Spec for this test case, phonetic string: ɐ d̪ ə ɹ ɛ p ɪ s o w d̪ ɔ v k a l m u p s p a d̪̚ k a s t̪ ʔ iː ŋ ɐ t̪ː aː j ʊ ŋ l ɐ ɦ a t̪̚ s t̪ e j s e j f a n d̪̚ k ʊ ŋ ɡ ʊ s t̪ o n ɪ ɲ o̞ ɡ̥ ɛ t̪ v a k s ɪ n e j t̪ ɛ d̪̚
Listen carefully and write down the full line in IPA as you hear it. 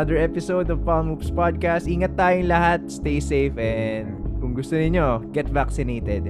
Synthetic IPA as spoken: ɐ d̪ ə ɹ ɛ p ɪ s o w d̪ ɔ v p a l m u p s p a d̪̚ k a s t̪ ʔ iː ŋ ɐ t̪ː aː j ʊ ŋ l ɐ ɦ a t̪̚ s t̪ e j s e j f ɛ n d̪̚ k ʊ ŋ ɡ ʊ s t̪ o n ɪ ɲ o̞ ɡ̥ ɛ t̪ v a k s ɪ n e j t̪ ɛ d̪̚